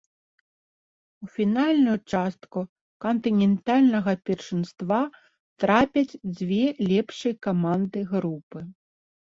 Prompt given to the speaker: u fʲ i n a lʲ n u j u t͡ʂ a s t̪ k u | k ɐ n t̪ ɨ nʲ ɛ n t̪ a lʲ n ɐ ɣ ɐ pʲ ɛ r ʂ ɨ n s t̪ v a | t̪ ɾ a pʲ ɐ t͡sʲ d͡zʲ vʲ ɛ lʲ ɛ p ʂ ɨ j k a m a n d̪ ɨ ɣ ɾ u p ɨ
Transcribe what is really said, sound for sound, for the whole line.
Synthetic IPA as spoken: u fʲ i n a lʲ n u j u t͡ʂ a s t̪ k u | k ɐ n t̪ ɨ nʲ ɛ n t̪ a lʲ n ɐ ɣ ɐ pʲ ɛ r ʂ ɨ n s t̪ v a | t̪ ɾ a pʲ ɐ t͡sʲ d͡zʲ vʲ ɛ lʲ ɛ p ʂ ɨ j k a m a n d̪ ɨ ɣ ɾ u p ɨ